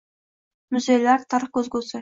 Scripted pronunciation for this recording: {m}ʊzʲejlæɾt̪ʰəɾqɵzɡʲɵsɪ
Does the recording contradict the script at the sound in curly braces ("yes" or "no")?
no